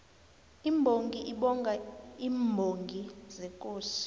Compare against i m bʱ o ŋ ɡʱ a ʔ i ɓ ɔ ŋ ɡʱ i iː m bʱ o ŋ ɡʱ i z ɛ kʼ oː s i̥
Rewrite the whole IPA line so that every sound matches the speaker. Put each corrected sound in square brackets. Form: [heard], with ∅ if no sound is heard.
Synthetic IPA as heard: i m bʱ o ŋ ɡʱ [i] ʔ i ɓ ɔ ŋ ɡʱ [a] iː m bʱ o ŋ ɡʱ i z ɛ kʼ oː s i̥